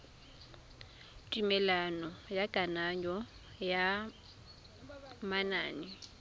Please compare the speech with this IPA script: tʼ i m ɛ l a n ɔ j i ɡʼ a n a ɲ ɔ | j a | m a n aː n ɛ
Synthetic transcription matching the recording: tʼ i m ɛ l a n ɔ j a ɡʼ a n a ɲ ɔ | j a | m a n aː n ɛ